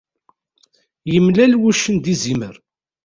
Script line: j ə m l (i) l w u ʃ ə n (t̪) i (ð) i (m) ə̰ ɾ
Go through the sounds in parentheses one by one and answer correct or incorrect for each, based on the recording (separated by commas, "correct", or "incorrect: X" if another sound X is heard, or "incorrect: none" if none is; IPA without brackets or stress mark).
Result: incorrect: æ, incorrect: d̪, incorrect: z, correct